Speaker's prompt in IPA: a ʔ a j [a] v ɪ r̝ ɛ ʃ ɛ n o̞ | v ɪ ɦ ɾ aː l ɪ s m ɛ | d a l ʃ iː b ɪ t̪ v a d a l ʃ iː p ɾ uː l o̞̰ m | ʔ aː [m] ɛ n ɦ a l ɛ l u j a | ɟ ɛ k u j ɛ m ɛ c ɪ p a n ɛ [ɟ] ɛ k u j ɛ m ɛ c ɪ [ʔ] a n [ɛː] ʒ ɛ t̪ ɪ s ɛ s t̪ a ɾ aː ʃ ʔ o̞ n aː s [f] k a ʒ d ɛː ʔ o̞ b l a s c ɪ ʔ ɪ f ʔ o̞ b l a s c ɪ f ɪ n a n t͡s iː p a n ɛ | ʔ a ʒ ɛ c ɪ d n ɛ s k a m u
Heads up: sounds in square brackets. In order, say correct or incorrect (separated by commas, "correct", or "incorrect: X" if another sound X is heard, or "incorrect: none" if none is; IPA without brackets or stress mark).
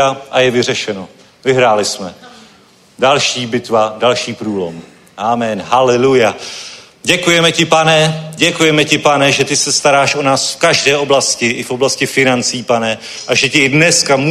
incorrect: ɛ, correct, correct, incorrect: p, incorrect: ɛ, correct